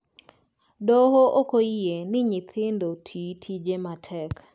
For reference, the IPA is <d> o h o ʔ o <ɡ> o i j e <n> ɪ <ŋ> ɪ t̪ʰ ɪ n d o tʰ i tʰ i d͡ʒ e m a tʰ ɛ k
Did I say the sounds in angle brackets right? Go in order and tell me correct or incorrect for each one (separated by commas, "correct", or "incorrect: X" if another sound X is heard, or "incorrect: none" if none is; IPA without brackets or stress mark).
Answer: correct, incorrect: k, correct, incorrect: ɲ